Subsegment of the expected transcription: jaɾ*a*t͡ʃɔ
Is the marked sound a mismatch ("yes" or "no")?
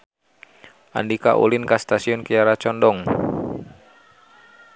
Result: no